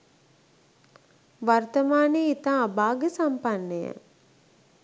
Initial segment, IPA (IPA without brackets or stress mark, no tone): ʋ